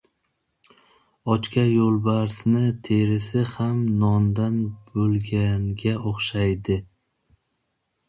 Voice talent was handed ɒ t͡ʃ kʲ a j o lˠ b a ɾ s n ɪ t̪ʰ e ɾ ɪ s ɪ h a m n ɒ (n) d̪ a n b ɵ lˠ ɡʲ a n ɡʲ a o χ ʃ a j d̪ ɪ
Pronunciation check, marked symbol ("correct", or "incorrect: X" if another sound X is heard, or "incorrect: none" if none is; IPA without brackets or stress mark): correct